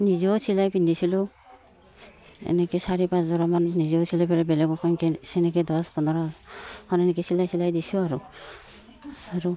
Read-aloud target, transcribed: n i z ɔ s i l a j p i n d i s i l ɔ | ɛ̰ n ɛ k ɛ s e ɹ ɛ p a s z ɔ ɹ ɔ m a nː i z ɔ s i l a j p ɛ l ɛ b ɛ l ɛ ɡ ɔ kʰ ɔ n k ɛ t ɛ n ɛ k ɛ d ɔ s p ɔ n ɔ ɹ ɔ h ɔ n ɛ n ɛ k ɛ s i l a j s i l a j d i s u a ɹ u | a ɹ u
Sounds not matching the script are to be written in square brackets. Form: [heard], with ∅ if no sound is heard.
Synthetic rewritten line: n i z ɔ s i l a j p i n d i s i l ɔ | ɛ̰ n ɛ k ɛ s [a] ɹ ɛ p a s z ɔ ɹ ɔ m a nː i z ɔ s i l a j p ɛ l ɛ b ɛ l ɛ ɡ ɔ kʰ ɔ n k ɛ [s] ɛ n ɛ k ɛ d ɔ s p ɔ n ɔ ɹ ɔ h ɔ n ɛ n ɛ k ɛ s i l a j s i l a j d i s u a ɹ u | a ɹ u

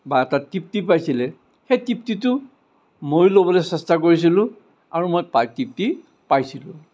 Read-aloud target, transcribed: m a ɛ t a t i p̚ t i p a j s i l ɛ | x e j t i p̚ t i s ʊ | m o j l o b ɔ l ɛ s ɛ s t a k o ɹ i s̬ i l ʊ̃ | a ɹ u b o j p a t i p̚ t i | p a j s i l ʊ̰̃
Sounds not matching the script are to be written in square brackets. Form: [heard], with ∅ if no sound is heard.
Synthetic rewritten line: [b] a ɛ t a t i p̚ t i p a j s i l ɛ | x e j t i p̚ t i [t] ʊ | m o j l o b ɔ l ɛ s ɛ s t a k o ɹ i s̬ i l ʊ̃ | a ɹ u [m] o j p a t i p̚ t i | p a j s i l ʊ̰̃

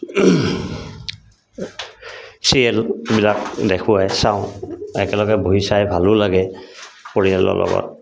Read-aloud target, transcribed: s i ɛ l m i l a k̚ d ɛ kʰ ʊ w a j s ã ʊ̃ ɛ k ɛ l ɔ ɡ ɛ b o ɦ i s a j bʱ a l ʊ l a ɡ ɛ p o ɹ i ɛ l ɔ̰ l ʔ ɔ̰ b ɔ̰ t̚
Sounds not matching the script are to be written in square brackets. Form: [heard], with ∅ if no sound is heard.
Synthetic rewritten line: s i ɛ l [b] i l a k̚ d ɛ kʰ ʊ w a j s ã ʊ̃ ɛ k ɛ l ɔ ɡ ɛ b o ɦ i s a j bʱ a l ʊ l a ɡ ɛ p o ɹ i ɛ l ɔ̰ l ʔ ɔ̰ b ɔ̰ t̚

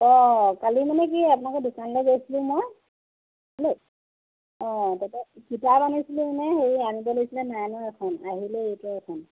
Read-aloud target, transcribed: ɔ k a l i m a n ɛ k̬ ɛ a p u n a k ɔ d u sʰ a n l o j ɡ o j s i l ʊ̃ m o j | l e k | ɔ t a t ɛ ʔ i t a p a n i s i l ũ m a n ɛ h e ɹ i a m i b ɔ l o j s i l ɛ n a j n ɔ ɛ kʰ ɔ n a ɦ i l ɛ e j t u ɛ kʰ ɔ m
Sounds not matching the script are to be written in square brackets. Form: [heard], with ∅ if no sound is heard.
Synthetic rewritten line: ɔ k a l i m a n ɛ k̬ [i] a p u n a k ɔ d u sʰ a n l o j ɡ o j s i l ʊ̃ m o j | l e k | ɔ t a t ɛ [k] i t a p a n i s i l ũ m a n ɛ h e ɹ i a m i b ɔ l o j s i l ɛ n a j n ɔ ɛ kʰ ɔ n a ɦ i l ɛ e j t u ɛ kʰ ɔ [n]

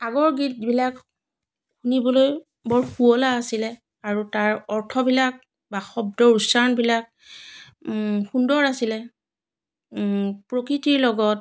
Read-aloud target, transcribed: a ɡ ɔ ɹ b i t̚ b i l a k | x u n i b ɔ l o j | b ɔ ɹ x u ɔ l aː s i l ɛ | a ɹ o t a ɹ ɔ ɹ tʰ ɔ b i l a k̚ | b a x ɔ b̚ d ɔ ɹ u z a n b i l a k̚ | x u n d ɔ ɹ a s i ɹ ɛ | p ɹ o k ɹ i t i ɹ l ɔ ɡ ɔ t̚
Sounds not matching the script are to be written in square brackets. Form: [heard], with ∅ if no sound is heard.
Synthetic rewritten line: a ɡ ɔ ɹ [ɡ] i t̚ b i l a k | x u n i b ɔ l o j | b ɔ ɹ x u ɔ l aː s i l ɛ | a ɹ [u] t a ɹ ɔ ɹ tʰ ɔ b i l a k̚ | b a x ɔ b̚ d ɔ ɹ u [s] a n b i l a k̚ | x u n d ɔ ɹ a s i [l] ɛ | p ɹ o k ɹ i t i ɹ l ɔ ɡ ɔ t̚

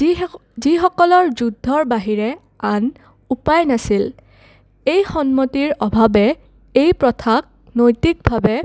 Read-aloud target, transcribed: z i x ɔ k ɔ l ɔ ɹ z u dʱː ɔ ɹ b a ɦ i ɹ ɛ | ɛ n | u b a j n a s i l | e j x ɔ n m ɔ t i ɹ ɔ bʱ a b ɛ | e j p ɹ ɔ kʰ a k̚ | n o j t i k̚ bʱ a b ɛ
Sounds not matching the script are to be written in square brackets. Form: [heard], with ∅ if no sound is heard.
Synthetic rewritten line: z i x ɔ k ɔ l ɔ ɹ z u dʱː ɔ ɹ b a ɦ i ɹ ɛ | [a] n | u [p] a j n a s i l | e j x ɔ n m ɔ t i ɹ ɔ bʱ a b ɛ | e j p ɹ ɔ [tʰ] a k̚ | n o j t i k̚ bʱ a b ɛ

